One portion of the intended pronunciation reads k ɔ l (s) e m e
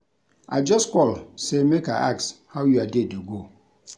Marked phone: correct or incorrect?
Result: correct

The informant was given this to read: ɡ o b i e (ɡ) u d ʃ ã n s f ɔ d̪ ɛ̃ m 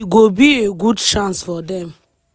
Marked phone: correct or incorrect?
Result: correct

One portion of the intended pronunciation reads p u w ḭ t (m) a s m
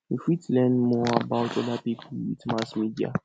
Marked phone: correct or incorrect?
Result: correct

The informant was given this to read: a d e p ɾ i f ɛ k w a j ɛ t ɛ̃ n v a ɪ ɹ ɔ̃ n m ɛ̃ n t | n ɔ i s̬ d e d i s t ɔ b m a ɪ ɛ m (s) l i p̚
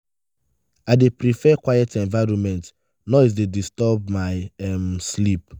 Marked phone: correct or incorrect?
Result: correct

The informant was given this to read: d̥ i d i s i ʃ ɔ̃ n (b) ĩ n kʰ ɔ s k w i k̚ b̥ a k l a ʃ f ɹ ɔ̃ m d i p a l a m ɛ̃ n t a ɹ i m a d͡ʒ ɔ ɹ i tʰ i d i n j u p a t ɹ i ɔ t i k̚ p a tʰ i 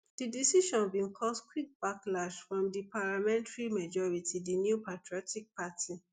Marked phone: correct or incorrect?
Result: correct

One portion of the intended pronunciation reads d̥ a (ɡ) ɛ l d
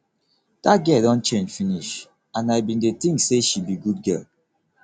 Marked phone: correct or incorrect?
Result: correct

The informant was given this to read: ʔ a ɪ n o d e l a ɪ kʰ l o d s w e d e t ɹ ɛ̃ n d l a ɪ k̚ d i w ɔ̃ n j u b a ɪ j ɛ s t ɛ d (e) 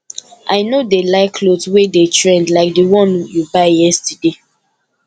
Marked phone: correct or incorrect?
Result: correct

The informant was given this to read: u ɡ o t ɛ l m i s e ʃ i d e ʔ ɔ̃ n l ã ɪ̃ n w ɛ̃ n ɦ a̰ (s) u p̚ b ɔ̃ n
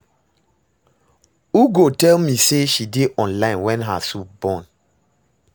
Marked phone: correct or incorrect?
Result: correct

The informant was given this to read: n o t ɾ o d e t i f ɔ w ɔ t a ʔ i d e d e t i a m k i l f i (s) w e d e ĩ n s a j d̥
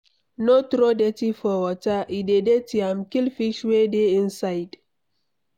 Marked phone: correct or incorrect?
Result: incorrect: ʃ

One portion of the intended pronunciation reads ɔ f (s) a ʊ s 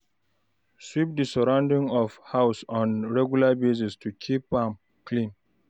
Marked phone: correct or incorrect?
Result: incorrect: h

